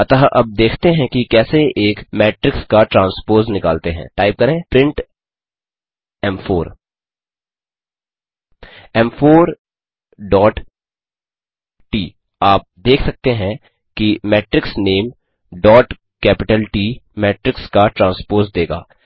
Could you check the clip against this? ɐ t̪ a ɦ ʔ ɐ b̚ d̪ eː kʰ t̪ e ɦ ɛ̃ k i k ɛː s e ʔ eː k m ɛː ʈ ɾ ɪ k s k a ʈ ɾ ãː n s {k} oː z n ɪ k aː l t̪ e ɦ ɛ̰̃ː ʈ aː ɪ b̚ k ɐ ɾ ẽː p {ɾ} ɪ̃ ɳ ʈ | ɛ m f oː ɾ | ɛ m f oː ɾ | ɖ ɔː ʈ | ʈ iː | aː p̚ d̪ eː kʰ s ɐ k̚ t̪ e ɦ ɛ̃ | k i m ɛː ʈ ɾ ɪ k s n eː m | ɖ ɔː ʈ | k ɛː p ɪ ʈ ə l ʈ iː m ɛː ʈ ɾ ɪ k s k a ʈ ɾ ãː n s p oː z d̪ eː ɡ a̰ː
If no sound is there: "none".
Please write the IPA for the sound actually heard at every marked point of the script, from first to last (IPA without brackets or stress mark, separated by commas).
p, ɾ